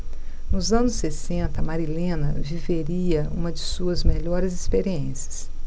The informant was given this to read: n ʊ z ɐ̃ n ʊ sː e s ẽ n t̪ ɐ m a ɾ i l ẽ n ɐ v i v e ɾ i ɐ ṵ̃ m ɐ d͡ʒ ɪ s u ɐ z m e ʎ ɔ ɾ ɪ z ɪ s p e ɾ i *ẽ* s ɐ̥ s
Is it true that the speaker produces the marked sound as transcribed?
yes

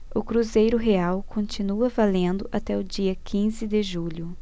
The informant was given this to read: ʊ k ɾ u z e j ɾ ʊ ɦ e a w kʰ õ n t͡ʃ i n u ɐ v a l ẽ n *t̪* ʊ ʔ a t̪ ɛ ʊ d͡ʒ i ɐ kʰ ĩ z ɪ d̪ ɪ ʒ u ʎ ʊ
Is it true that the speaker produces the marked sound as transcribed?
no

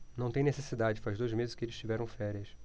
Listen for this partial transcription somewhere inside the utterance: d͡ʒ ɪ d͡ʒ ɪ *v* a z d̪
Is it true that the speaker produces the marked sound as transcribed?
no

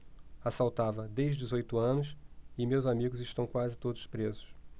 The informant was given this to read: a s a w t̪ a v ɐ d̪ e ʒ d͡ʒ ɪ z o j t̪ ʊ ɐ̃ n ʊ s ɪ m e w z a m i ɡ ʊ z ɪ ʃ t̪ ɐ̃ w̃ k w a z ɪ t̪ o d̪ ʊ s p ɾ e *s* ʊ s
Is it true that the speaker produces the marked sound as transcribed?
no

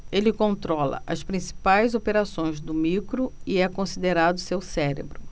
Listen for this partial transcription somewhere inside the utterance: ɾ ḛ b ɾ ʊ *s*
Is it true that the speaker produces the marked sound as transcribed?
no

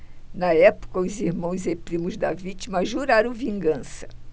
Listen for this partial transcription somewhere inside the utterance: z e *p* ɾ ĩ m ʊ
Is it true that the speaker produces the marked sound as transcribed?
yes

